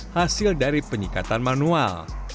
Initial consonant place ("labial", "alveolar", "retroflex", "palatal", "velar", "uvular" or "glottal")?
glottal